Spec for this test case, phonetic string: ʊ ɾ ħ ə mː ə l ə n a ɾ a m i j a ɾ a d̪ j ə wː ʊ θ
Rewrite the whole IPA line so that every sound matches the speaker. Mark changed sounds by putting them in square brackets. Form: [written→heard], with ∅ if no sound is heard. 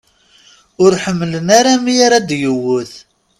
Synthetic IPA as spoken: ʊ ɾ ħ ə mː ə l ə n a ɾ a m i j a ɾ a d̪ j ə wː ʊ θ